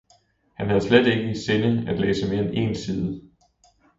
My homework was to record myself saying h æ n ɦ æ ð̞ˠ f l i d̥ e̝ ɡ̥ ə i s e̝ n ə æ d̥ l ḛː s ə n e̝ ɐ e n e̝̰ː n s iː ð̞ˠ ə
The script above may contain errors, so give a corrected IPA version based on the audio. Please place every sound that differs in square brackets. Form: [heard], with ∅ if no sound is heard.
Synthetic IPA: h æ n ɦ æ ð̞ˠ [s] l [e] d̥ e̝ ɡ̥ ə i s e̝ n ə æ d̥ l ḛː s ə [m] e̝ ɐ e n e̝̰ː n s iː ð̞ˠ ə